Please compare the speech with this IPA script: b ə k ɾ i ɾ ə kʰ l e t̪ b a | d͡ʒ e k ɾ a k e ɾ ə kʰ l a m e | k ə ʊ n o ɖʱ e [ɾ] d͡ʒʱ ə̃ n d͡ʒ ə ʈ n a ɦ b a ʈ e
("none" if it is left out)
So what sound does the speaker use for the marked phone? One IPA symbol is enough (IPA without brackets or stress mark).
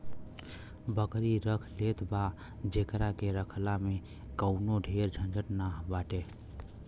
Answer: ɾ